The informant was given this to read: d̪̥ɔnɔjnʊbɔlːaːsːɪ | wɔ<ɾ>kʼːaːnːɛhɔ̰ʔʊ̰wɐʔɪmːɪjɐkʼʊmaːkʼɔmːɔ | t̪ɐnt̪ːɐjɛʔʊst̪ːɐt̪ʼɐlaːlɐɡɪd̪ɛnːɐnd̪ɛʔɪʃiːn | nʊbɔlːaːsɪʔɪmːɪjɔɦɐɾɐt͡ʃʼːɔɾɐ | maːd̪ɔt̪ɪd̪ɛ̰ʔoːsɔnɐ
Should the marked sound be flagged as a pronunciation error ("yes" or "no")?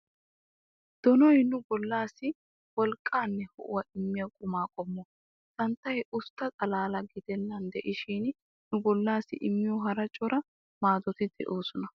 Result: yes